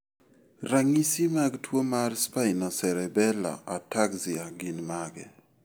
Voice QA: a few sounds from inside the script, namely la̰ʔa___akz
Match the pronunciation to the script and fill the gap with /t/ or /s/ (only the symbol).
t